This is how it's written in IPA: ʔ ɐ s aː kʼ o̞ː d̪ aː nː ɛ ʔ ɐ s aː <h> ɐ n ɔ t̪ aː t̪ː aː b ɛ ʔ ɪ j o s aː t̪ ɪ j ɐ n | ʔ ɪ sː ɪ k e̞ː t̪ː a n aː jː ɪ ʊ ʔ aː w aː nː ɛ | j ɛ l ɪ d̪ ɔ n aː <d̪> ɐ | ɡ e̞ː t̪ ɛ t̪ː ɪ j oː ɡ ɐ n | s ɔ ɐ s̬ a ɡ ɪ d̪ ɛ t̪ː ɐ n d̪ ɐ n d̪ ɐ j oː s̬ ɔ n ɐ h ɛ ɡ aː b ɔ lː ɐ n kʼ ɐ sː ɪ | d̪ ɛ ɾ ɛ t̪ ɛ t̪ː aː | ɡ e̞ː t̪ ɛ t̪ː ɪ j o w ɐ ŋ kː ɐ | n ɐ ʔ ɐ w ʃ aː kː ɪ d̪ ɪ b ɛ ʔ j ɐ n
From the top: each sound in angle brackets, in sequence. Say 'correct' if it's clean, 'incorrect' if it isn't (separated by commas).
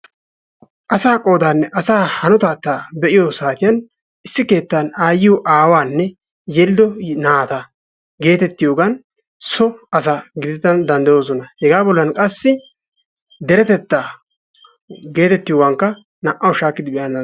correct, incorrect